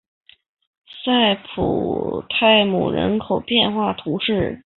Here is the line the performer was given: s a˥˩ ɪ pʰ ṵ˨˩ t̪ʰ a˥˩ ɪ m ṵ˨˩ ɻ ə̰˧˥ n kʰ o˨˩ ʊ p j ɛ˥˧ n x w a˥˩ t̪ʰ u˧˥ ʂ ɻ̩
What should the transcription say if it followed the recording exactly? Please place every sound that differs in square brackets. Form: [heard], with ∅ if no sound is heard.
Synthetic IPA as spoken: s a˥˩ ɪ pʰ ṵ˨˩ t̪ʰ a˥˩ ɪ m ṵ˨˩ ɻ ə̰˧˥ n kʰ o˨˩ ʊ p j ɛ˥˧ n x w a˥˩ t̪ʰ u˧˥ ʂ ɻ̩